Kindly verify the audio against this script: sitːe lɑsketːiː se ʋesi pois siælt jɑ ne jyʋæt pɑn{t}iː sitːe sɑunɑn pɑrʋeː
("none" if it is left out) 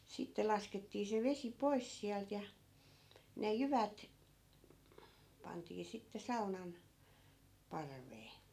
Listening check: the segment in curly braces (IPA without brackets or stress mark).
t